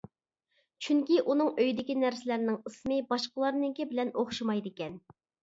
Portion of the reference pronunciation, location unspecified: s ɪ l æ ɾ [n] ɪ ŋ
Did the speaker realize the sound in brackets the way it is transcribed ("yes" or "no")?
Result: yes